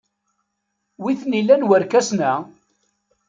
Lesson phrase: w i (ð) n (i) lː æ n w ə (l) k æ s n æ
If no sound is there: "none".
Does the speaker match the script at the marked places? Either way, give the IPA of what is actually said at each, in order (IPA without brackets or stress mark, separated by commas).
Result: θ, i, ɾ